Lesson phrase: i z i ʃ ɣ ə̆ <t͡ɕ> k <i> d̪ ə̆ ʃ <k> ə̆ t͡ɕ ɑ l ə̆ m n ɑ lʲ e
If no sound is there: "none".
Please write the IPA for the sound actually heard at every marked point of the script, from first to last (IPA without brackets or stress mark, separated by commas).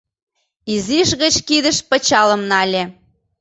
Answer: t͡ɕ, i, p